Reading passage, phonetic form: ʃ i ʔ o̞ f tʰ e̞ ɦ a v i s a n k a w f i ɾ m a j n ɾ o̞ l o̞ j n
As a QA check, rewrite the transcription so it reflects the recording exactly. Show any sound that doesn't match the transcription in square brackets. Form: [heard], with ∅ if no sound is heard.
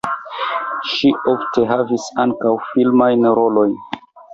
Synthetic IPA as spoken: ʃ i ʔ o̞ f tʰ e̞ ɦ a v i s a [ŋ] k a w f i [l] m a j n ɾ o̞ l o̞ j n

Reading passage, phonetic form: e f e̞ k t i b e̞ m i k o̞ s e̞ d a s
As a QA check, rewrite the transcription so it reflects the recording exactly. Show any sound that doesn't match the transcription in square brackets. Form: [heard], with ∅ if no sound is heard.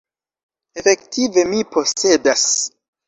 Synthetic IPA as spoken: e f e̞ k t i [v] e̞ m i [p] o̞ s e̞ d a s

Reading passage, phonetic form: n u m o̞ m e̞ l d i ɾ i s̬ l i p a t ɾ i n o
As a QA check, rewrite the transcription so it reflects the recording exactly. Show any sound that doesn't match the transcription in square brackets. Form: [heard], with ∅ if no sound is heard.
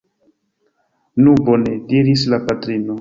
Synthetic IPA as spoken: n u [b] o̞ [n] e̞ [∅] d i ɾ i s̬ l [a] p a t ɾ i n o

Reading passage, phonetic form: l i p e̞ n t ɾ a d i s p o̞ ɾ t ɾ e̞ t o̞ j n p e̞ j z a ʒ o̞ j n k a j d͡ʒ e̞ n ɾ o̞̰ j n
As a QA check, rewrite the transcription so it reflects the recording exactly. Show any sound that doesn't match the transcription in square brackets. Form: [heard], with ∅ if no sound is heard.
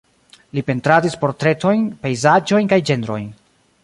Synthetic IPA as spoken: l i p e̞ n t ɾ a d i s p o̞ ɾ t ɾ e̞ t o̞ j n p e̞ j z a [d͡ʒ] o̞ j n k a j d͡ʒ e̞ n ɾ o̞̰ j n

